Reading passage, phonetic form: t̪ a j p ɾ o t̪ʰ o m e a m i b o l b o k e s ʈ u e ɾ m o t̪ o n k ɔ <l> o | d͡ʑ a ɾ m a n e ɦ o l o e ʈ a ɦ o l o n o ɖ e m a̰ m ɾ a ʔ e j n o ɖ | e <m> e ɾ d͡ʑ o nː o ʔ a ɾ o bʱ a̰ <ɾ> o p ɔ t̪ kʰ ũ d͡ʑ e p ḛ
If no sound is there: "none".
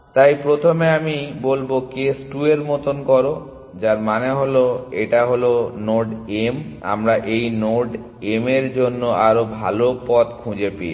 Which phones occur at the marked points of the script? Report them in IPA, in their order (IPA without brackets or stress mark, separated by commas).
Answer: ɾ, m, l